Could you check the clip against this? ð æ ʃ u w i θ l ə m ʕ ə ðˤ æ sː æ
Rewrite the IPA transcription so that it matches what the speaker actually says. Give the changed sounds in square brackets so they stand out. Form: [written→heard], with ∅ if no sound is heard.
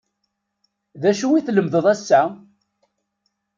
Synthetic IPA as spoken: ð æ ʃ u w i θ l ə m [ʕ→ð] ə ðˤ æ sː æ